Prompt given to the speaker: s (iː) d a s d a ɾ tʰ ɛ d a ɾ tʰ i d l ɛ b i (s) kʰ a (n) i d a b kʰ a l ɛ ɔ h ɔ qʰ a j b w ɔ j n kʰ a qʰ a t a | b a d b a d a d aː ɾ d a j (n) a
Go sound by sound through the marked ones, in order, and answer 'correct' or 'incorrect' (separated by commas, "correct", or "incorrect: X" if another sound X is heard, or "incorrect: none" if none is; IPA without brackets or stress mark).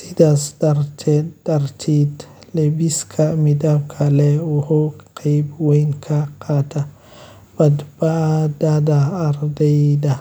incorrect: i, correct, incorrect: m, incorrect: d